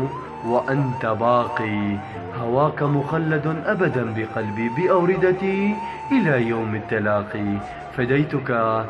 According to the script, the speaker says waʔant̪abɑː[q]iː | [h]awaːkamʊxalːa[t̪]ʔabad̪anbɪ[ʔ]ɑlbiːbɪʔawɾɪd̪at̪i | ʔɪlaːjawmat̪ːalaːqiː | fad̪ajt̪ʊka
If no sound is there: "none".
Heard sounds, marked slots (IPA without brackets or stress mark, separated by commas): q, h, d̪, q